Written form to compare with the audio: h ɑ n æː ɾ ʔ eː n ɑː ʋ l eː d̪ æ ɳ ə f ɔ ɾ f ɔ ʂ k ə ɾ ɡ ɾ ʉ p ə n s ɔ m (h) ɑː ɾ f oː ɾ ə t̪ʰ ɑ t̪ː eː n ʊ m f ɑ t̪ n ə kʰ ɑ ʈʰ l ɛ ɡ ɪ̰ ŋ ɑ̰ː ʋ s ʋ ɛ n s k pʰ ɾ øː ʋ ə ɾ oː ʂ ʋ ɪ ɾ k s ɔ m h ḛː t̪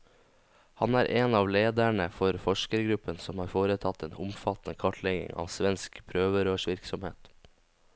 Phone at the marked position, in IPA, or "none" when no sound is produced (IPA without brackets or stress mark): h